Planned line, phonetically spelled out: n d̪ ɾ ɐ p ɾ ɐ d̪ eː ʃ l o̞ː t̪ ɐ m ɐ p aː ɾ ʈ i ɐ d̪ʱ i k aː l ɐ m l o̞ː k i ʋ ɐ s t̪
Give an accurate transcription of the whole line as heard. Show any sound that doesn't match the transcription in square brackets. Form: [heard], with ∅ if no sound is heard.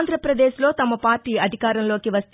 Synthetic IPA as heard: n d̪ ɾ ɐ p ɾ ɐ d̪ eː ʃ l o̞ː t̪ ɐ m ɐ p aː ɾ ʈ [iː] ɐ d̪ʱ i k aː [ɾ] ɐ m l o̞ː k i ʋ ɐ s t̪